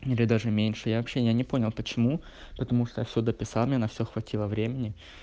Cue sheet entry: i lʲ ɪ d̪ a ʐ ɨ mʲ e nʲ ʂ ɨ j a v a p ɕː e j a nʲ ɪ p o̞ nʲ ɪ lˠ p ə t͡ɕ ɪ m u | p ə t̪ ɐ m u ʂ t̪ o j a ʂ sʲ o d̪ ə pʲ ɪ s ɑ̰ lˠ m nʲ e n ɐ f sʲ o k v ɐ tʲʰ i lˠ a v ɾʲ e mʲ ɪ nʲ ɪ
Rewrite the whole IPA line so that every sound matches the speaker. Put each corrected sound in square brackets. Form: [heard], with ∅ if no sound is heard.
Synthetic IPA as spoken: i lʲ ɪ d̪ a ʐ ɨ mʲ e nʲ ʂ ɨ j a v [ɐ] p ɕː e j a nʲ ɪ p o̞ nʲ ɪ lˠ p ə t͡ɕ ɪ m u | p ə t̪ ɐ m u ʂ t̪ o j a [f] sʲ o d̪ ə pʲ ɪ s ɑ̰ lˠ m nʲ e n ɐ f sʲ o [x] v ɐ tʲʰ i lˠ [ə] v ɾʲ e mʲ ɪ nʲ ɪ